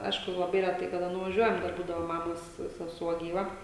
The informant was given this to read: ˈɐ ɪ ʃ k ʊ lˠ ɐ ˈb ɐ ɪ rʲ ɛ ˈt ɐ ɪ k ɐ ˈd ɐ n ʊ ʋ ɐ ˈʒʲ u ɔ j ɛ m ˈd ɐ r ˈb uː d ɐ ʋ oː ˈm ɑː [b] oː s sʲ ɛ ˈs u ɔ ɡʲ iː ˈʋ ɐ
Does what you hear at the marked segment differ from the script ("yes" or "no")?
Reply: yes